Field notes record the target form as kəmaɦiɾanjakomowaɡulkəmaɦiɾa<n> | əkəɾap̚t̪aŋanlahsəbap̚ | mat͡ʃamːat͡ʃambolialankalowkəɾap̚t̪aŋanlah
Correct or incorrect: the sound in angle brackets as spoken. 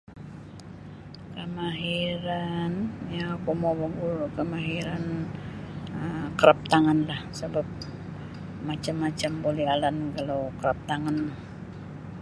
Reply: correct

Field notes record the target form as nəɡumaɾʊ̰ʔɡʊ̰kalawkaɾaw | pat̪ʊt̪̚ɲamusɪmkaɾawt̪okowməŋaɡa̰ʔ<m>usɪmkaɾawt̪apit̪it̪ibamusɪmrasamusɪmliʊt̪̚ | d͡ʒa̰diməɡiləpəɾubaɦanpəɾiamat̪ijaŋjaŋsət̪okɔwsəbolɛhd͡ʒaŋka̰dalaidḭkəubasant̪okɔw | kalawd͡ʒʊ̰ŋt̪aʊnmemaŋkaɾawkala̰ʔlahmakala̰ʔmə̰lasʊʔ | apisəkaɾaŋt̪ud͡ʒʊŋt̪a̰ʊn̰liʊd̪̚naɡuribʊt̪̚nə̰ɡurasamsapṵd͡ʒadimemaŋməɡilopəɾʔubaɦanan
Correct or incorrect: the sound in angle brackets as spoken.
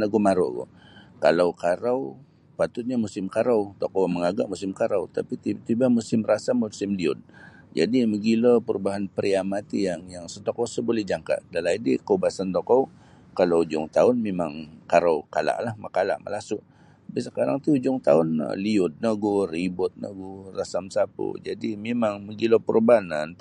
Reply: correct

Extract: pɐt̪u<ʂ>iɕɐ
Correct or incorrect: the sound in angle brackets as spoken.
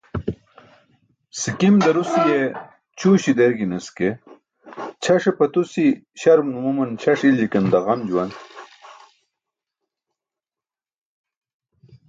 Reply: incorrect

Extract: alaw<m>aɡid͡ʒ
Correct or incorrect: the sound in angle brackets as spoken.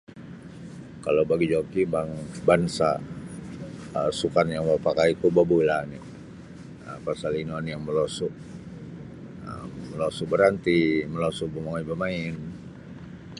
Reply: incorrect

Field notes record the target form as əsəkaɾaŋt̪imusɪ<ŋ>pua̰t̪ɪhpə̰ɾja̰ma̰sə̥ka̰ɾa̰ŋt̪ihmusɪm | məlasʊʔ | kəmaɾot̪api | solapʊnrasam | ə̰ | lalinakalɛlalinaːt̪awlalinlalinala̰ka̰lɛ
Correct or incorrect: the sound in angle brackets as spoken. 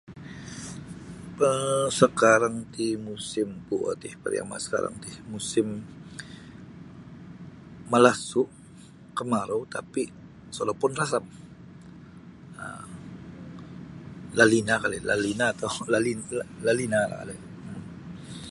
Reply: incorrect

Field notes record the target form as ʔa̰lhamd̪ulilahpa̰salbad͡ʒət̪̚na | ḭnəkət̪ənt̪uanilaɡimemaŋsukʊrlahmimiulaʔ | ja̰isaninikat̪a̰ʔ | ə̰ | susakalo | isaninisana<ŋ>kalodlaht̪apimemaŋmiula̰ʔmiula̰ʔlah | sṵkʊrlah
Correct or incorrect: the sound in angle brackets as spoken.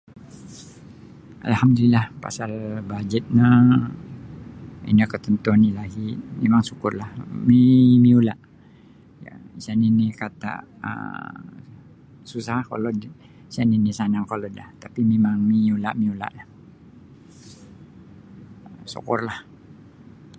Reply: correct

